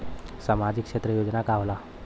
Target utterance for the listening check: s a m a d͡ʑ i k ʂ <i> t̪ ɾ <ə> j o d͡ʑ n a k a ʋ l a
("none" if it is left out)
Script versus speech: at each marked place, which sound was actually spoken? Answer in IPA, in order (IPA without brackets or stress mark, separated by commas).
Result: e, ə